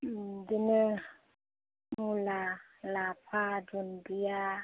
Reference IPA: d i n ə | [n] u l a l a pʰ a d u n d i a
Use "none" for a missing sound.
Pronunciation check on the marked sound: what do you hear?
m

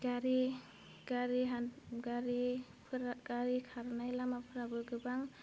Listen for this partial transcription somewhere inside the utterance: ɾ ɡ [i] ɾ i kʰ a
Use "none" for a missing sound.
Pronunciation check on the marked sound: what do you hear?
a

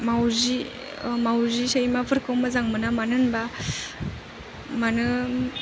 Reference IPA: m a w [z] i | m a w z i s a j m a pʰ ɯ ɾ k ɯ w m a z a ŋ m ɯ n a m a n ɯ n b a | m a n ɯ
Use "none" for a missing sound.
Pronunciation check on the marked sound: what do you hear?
z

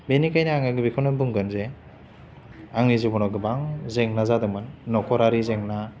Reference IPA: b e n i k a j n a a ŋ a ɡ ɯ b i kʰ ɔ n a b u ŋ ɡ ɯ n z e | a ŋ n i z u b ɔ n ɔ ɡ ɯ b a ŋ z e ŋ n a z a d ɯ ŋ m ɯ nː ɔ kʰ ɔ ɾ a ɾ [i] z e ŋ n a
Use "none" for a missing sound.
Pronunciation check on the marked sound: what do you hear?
i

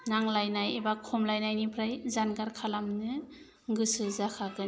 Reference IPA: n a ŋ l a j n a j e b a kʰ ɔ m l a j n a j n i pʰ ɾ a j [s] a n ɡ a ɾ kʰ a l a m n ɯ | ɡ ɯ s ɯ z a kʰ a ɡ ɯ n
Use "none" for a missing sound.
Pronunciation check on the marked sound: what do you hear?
z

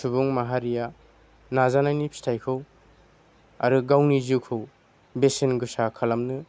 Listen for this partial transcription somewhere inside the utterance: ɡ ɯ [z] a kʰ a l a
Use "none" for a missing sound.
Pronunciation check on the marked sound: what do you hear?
s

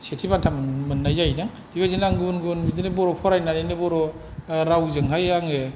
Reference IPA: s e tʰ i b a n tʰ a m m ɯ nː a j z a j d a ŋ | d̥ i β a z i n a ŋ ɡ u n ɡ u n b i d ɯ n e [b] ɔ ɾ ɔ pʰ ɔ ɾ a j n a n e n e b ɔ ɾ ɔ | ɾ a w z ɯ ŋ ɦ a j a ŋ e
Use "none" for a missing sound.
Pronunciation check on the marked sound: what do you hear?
b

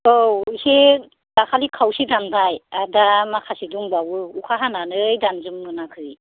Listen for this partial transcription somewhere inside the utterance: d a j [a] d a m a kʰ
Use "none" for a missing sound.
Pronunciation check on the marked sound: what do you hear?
a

